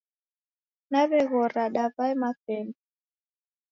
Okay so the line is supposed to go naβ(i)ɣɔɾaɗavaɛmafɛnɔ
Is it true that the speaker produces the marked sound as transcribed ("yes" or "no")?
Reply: no